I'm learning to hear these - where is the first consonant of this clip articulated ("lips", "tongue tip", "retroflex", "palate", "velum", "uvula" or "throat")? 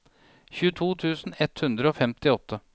palate